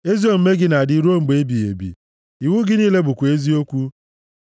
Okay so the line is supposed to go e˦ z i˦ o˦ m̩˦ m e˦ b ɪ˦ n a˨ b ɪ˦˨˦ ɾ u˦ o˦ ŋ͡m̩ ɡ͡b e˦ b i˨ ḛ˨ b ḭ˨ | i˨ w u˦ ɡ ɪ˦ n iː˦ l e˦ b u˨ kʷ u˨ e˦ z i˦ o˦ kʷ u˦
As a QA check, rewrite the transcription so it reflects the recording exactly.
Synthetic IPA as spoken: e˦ z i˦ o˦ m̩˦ m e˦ ɡ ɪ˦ n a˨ d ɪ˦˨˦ ɾ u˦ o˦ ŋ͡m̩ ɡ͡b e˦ b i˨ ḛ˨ b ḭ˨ | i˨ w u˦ ɡ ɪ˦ n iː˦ l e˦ b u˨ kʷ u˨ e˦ z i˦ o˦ kʷ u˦